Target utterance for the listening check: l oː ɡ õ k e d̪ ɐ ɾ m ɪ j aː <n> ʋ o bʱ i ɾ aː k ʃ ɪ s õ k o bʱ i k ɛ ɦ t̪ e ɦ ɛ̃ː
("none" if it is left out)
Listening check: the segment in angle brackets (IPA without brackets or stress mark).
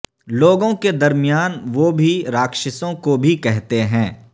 n